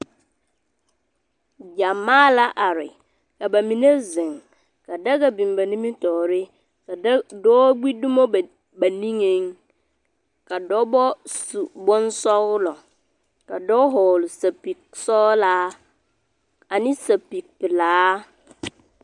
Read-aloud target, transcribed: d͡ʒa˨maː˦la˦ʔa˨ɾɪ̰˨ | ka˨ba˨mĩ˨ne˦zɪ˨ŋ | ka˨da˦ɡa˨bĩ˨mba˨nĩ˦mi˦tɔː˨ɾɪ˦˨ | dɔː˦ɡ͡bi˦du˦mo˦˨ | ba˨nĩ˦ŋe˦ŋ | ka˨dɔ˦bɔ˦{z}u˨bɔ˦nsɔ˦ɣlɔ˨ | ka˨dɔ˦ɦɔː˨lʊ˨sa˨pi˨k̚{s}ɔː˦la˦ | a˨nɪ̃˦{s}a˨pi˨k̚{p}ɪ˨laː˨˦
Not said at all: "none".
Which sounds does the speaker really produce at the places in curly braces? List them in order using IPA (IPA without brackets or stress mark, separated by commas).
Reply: s, s, s, p